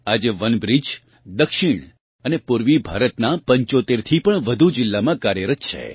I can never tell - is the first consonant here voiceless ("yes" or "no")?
no